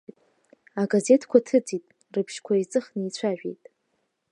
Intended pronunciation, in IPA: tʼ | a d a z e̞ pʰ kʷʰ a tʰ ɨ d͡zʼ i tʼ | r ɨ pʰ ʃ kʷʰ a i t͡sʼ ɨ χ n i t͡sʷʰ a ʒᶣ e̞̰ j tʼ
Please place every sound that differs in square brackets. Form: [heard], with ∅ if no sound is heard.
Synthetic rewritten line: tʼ | a [ɡ] a z e̞ [tʰ] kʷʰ a tʰ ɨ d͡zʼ i tʼ | r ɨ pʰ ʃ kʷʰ a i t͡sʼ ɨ χ n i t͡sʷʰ a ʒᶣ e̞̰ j tʼ

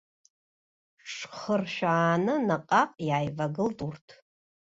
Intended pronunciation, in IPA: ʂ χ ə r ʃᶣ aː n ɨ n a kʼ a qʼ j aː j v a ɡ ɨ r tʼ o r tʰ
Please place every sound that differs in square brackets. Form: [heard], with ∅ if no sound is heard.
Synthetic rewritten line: ʂ χ ə r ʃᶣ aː n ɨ n a [qʼ] a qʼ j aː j v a ɡ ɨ [l] tʼ [u] r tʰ

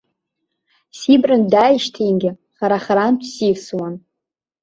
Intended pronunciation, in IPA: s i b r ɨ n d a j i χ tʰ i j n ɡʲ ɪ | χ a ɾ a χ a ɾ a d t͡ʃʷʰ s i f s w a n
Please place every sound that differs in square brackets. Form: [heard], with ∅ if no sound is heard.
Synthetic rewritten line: s i b r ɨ n d a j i [ʃ] tʰ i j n ɡʲ ɪ | χ a ɾ a χ a ɾ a [n] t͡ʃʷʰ s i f s w a n

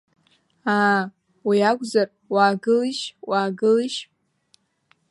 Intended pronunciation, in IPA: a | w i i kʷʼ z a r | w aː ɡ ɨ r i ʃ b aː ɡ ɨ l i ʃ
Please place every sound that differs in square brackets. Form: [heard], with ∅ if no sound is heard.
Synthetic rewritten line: a | w i [a] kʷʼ z a r | w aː ɡ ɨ [l] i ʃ [w] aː ɡ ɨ l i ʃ

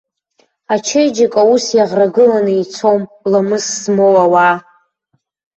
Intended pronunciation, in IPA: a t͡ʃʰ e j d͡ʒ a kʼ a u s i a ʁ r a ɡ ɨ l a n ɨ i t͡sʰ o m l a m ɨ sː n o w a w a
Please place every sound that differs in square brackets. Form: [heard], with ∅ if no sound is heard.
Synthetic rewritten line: a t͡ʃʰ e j d͡ʒ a kʼ a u s [j] a ʁ r a ɡ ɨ l a n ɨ i t͡sʰ o m l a m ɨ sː [m] o w a w a

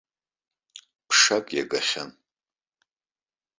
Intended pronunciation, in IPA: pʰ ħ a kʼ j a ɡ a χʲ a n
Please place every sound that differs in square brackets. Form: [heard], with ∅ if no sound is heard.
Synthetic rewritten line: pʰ [ʂ] a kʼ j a ɡ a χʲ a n

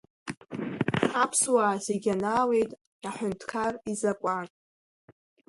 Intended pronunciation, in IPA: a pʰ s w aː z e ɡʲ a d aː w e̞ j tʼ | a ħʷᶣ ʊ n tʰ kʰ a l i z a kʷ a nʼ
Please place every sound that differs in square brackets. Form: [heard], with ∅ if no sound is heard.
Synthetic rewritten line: a pʰ s w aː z e ɡʲ a [n] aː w e̞ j tʼ | a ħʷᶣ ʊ n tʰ kʰ a [r] i z a [kʷʼ] a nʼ

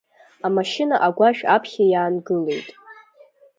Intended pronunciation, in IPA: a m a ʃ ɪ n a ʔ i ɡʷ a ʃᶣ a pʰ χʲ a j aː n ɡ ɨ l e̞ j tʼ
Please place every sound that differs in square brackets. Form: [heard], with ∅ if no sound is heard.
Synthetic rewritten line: a m a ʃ ɪ n a ʔ [a] ɡʷ a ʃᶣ a pʰ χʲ a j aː n ɡ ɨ l e̞ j tʼ

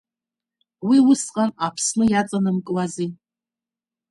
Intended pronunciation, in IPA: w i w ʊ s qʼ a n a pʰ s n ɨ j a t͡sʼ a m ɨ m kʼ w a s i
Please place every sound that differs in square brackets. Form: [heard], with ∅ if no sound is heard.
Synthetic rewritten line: w i w ʊ s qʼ a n a pʰ s n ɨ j a t͡sʼ a [n] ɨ m kʼ w a [z] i

